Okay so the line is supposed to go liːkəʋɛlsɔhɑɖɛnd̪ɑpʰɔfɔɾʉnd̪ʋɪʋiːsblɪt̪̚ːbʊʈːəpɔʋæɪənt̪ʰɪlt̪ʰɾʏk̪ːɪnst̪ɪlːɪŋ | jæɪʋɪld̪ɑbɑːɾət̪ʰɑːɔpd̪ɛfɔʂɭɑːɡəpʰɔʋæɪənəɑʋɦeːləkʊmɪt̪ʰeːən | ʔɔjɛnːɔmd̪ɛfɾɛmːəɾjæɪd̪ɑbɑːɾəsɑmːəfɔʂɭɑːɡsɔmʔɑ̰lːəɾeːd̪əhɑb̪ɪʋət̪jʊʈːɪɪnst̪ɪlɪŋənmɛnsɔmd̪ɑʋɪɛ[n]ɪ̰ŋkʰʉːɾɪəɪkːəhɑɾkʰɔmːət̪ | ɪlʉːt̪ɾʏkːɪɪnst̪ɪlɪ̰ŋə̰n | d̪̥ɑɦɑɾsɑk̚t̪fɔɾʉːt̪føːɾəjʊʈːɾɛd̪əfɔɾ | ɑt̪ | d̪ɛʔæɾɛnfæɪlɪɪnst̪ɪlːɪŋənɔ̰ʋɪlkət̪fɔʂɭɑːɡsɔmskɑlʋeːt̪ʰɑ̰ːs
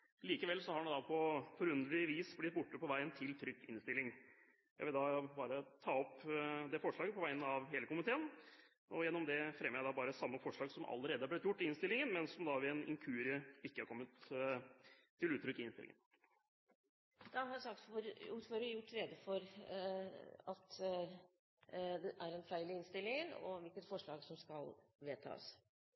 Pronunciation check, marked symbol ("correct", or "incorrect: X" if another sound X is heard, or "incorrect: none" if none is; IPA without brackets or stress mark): correct